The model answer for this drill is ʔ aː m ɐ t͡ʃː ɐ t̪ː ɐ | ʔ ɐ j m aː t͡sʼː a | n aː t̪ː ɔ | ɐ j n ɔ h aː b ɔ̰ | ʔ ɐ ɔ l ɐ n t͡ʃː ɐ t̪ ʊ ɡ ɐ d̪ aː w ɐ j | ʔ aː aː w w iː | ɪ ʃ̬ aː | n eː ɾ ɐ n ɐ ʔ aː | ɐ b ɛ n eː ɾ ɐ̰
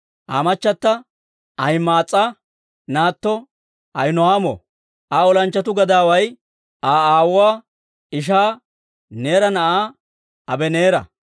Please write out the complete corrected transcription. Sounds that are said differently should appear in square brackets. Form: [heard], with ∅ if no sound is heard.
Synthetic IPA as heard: ʔ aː m ɐ t͡ʃː ɐ t̪ː ɐ | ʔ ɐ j m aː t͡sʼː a | n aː t̪ː ɔ | ɐ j n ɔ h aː [m] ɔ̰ | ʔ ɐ ɔ l ɐ n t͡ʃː ɐ t̪ ʊ ɡ ɐ d̪ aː w ɐ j | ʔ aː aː w w [aː] | ɪ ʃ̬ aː | n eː ɾ ɐ n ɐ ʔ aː | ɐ b ɛ n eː ɾ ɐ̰